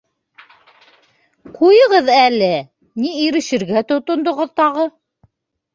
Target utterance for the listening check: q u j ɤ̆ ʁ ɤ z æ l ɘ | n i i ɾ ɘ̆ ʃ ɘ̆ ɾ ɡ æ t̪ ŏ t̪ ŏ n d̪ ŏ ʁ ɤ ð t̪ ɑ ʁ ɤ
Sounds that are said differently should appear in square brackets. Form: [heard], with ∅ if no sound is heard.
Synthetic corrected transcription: q u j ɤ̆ ʁ ɤ [ð] æ l ɘ | n i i ɾ ɘ̆ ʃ ɘ̆ ɾ ɡ æ t̪ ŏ t̪ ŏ n d̪ ŏ ʁ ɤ ð t̪ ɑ ʁ ɤ